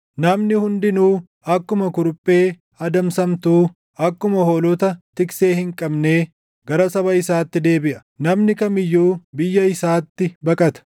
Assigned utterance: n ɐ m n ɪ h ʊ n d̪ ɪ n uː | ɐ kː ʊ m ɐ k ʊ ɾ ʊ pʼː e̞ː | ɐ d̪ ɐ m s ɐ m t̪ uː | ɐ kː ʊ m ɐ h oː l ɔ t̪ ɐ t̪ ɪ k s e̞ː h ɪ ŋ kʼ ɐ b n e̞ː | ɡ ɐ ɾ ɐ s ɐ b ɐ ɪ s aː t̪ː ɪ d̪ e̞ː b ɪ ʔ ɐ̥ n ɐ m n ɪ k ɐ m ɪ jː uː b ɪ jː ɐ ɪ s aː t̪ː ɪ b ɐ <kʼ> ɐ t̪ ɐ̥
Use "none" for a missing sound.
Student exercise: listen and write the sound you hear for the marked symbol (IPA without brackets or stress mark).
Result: kʼ